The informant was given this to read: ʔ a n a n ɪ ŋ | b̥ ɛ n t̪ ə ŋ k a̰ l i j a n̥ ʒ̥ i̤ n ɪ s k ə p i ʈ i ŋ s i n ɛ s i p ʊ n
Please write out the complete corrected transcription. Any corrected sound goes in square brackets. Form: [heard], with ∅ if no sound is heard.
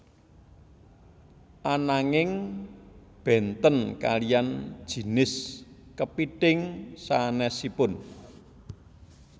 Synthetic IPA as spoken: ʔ a n a [ŋ] ɪ ŋ | b̥ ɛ n t̪ ə [n] k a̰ l i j a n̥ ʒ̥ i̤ n ɪ s k ə p i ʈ [ɪ] ŋ s [a] n ɛ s i p ʊ n